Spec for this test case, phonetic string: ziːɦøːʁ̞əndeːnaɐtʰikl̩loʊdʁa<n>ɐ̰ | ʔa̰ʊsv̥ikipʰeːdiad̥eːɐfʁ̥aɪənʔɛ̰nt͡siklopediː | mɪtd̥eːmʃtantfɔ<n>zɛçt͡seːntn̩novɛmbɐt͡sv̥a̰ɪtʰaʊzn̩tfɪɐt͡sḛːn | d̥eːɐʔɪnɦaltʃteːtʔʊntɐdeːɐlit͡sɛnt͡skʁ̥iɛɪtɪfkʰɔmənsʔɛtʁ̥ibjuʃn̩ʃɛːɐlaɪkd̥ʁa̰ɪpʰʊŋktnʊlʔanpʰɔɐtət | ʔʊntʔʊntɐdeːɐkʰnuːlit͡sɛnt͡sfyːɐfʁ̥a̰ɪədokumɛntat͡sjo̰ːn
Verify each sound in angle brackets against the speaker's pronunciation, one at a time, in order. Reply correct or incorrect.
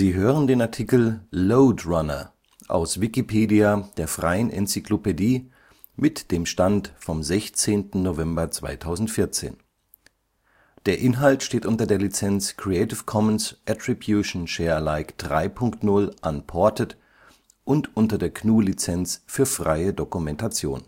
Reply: correct, incorrect

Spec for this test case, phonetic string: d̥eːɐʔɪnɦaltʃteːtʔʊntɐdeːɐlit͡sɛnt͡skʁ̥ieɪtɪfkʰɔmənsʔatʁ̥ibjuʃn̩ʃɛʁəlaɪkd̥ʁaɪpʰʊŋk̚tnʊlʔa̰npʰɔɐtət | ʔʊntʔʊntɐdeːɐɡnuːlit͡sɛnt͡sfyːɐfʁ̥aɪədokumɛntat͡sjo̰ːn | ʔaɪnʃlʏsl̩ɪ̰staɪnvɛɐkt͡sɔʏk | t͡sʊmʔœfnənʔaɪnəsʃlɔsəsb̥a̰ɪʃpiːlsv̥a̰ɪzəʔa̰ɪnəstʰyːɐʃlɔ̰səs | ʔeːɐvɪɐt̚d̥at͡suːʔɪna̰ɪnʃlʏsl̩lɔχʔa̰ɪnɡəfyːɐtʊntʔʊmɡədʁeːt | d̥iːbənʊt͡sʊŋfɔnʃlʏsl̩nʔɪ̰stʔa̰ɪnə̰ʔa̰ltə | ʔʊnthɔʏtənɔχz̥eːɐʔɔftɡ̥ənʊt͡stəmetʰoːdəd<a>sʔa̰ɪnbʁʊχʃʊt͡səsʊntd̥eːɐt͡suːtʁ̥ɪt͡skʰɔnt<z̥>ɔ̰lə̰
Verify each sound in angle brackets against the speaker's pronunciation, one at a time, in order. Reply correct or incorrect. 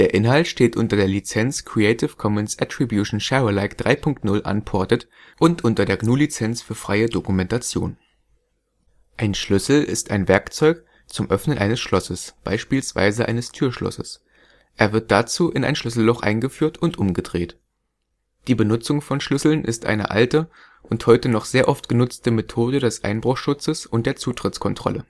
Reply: incorrect, incorrect

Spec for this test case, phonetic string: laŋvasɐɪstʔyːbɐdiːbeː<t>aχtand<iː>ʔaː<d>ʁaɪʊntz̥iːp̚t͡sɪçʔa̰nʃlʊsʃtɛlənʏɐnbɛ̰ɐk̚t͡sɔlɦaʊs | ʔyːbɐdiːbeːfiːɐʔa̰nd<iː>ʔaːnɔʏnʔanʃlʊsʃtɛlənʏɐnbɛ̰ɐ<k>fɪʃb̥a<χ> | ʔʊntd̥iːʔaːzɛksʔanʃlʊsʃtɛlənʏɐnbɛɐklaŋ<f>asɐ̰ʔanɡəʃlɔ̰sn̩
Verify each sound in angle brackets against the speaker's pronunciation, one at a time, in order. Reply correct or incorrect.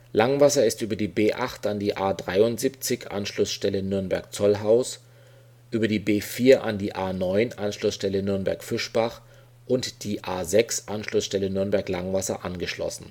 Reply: incorrect, correct, correct, correct, correct, correct, incorrect

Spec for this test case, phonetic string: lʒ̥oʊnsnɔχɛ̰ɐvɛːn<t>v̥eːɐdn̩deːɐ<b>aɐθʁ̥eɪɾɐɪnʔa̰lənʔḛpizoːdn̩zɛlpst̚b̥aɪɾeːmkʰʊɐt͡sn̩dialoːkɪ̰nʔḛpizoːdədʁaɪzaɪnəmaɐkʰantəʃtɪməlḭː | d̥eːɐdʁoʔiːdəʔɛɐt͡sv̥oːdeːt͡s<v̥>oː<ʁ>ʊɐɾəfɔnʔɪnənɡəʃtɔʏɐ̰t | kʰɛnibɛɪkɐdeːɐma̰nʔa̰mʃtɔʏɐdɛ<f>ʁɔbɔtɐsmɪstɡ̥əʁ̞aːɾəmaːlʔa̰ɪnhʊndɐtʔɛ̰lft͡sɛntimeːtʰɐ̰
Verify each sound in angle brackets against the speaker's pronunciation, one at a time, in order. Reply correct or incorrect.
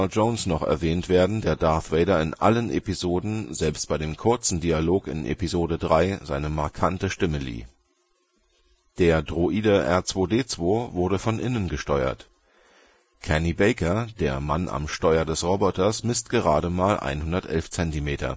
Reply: correct, incorrect, correct, incorrect, incorrect

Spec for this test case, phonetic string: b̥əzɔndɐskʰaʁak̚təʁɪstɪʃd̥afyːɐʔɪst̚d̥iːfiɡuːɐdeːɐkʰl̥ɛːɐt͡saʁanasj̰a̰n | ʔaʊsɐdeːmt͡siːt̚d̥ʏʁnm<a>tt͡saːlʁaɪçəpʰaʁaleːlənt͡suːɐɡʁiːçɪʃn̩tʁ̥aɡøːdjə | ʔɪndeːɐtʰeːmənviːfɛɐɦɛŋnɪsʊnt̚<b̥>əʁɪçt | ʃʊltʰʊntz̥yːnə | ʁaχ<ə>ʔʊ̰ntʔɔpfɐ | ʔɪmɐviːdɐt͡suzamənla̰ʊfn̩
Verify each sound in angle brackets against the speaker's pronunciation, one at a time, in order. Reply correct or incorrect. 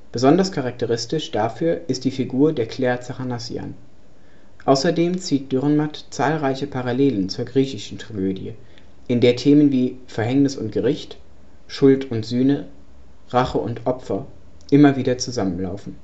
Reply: correct, incorrect, correct

